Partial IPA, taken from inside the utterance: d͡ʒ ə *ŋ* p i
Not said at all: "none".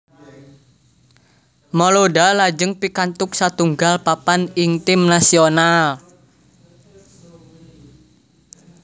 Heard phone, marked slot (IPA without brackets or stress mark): ŋ